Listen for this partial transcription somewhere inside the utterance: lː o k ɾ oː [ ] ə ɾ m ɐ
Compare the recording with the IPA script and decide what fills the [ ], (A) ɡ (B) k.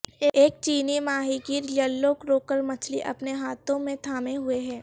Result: B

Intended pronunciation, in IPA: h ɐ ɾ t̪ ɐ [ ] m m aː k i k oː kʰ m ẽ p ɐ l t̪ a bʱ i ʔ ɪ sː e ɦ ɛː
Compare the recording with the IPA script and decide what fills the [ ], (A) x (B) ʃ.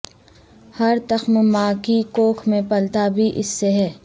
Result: A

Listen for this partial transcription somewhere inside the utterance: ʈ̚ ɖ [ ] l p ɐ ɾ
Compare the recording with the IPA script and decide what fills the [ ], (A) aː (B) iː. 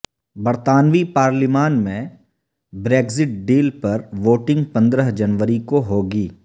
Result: B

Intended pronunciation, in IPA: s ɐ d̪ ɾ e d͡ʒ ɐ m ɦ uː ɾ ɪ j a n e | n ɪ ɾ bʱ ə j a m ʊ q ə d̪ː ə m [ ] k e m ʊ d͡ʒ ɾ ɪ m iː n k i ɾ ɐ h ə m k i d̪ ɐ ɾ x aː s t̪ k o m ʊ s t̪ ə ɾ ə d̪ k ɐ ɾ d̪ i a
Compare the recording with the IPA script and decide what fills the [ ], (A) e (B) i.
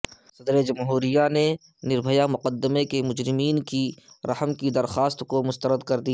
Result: A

